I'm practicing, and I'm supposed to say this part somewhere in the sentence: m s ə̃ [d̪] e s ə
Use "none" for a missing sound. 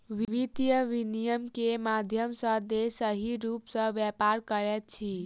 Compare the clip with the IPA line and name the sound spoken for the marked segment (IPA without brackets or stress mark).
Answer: d̪